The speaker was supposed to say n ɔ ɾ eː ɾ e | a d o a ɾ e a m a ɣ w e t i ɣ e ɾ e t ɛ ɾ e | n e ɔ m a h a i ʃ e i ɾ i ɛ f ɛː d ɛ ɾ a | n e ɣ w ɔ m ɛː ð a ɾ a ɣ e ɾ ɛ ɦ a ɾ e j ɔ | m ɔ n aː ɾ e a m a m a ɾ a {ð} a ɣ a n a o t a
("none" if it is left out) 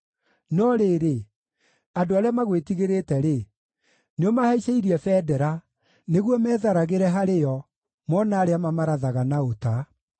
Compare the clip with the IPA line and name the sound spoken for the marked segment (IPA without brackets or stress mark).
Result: ð